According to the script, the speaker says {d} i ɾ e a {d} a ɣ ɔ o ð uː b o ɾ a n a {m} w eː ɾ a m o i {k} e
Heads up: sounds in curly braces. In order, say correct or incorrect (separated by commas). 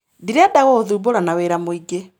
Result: correct, correct, incorrect, incorrect